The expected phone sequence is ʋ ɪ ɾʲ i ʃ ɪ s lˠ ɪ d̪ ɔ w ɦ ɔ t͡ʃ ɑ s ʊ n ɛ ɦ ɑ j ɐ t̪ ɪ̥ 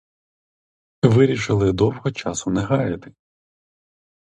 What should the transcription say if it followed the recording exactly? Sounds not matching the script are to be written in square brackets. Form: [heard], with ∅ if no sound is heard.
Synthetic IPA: ʋ ɪ ɾʲ i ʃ ɪ [∅] lˠ ɪ d̪ ɔ w ɦ ɔ t͡ʃ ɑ s ʊ n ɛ ɦ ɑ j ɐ t̪ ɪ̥